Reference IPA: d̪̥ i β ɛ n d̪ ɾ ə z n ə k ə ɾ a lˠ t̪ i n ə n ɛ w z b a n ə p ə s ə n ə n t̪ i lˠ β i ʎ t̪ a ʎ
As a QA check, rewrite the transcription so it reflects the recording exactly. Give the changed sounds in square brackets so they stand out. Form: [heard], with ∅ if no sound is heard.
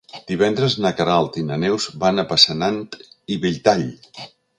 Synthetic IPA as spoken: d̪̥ i β ɛ n d̪ ɾ ə z n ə k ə ɾ a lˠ t̪ i n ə n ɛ w z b a n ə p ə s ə n [a] n t̪ i [∅] β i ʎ t̪ a ʎ